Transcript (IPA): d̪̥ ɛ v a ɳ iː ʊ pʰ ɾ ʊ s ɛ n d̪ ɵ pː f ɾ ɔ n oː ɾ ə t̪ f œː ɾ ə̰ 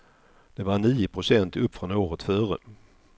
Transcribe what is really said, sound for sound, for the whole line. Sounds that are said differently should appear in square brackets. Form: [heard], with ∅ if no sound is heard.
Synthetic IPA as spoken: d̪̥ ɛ v a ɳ iː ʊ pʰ ɾ ʊ s ɛ n [t̪] ɵ pː f ɾ ɔ n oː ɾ ə t̪ f œː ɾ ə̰